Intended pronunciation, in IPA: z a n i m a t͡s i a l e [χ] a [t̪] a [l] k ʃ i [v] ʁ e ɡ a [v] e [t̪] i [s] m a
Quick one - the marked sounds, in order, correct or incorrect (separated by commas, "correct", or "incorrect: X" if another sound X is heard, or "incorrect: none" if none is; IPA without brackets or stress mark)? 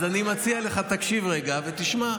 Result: correct, correct, incorrect: none, correct, correct, correct, incorrect: ʃ